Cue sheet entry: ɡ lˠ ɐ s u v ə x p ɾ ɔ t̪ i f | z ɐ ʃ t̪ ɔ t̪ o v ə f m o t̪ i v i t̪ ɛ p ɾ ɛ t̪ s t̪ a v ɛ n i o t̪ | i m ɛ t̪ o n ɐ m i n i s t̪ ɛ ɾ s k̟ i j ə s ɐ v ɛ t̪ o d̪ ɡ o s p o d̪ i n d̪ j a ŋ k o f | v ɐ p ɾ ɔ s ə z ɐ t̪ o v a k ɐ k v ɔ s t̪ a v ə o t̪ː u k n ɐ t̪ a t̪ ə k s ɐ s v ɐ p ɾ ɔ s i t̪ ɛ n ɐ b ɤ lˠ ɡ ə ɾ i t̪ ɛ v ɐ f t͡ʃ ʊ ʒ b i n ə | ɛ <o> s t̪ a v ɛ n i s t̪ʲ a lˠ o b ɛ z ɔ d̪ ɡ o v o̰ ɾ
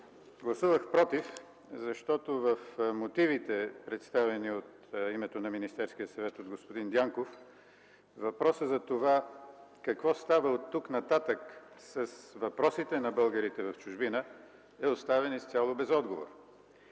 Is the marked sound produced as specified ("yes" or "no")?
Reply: yes